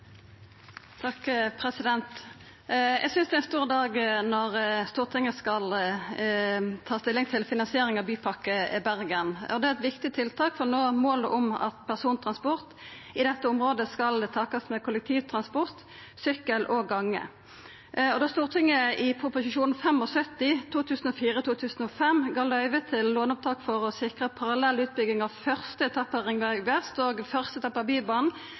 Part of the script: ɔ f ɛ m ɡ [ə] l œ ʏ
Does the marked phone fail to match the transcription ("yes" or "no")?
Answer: yes